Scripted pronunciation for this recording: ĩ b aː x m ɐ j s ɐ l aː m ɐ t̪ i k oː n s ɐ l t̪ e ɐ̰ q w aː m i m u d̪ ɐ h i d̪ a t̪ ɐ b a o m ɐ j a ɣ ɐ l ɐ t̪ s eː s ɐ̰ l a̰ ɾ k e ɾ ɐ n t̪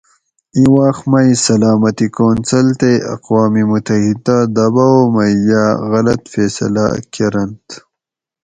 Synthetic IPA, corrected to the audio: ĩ w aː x m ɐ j s ɐ l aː m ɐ t̪ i k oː n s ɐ l t̪ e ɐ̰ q w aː m i m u t̪ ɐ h i d̪ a d̪ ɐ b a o m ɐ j a ɣ ɐ l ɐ t̪ f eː s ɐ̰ l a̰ k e ɾ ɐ n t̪